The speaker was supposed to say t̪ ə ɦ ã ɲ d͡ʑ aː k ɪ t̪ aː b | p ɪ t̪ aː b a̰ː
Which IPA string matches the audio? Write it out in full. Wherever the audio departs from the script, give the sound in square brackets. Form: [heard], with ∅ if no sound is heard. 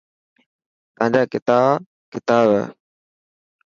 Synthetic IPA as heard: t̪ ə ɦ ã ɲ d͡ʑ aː k ɪ t̪ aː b | [k] ɪ t̪ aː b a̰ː